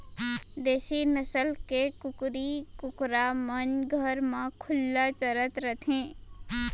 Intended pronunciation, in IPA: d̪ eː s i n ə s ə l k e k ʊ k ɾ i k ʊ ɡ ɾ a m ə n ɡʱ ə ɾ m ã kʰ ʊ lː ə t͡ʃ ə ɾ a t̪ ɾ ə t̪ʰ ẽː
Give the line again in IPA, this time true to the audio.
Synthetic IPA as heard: d̪ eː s i n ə s ə l k e k ʊ k ɾ i k ʊ k ɾ a m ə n ɡʱ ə ɾ m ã kʰ ʊ lː a t͡ʃ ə ɾ ə t̪ ɾ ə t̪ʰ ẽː